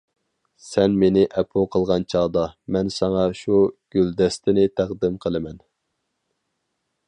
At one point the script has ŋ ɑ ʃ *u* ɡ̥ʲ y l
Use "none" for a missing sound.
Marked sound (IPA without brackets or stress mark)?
u